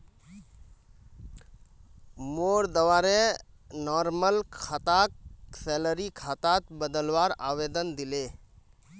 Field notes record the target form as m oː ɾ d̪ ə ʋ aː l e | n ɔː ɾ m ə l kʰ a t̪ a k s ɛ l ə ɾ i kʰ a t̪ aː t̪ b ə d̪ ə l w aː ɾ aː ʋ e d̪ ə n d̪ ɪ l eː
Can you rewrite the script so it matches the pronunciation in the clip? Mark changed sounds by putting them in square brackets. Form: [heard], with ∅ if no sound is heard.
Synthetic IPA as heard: m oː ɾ d̪ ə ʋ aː [ɾ] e | n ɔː ɾ m ə l kʰ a t̪ a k s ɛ l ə ɾ i kʰ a t̪ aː t̪ b ə d̪ ə l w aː ɾ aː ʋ e d̪ ə n d̪ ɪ l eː